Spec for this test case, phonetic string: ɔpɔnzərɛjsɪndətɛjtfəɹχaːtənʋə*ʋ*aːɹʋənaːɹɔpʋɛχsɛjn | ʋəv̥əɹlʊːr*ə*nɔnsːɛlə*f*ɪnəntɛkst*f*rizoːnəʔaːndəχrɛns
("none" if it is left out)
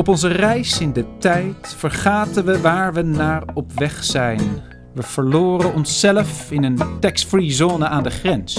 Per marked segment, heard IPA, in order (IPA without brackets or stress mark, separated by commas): ʋ, ə, f, f